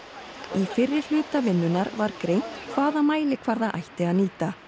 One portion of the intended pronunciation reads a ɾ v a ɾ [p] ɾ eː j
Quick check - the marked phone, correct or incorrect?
incorrect